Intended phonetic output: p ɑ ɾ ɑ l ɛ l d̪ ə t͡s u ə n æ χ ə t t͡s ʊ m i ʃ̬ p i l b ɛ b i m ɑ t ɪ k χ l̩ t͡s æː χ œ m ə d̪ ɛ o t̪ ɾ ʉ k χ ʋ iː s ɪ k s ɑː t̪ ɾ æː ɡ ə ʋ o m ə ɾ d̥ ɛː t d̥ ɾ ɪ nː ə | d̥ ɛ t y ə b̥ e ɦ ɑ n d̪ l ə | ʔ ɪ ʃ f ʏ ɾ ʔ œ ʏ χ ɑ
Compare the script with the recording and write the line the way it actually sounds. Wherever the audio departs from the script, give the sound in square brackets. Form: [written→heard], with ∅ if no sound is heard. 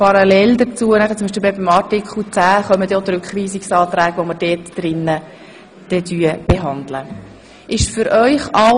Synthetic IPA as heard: p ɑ ɾ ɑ l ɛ l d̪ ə t͡s u ə n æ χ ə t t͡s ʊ m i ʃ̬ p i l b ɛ b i m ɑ t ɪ k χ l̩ t͡s æː χ œ m ə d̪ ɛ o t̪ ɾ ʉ k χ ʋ iː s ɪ k s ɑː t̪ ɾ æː ɡ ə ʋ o m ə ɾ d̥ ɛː t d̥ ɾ ɪ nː ə | d̥ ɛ t y ə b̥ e ɦ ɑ n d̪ l ə | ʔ ɪ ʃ f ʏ ɾ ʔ œ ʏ χ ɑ